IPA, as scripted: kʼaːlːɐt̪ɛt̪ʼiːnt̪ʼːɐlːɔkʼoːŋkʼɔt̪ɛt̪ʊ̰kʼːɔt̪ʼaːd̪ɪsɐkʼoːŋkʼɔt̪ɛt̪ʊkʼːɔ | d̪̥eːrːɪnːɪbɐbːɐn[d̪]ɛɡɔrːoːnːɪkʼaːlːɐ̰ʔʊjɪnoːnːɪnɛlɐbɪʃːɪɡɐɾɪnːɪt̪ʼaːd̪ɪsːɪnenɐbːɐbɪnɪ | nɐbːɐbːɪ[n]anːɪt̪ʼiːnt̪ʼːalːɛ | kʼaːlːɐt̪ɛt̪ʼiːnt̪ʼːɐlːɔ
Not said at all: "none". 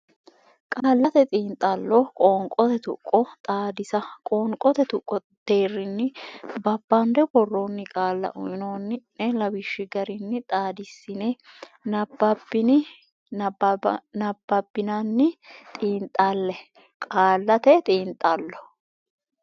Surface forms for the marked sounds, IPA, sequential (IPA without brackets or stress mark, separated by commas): d̪, n